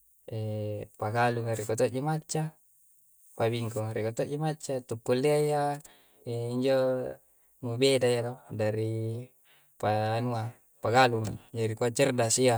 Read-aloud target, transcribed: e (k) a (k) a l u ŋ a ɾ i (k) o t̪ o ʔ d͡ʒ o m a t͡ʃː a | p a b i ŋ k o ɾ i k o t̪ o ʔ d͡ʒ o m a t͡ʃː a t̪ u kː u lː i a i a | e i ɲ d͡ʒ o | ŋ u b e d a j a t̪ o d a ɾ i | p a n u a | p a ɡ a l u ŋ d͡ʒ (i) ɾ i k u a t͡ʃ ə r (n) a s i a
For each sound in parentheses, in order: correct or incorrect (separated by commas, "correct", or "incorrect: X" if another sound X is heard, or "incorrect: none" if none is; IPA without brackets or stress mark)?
incorrect: p, incorrect: ɡ, correct, incorrect: a, incorrect: d